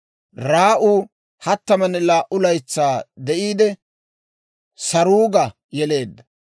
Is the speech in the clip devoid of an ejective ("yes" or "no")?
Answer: yes